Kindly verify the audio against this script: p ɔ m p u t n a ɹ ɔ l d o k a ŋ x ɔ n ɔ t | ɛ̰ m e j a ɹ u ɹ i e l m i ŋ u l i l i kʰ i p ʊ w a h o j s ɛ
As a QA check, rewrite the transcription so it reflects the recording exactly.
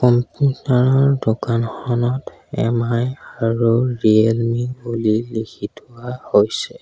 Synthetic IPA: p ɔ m p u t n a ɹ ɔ ɹ d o k a n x ɔ n ɔ t | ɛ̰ m a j a ɹ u ɹ i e l m i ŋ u l i l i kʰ i t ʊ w a h o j s ɛ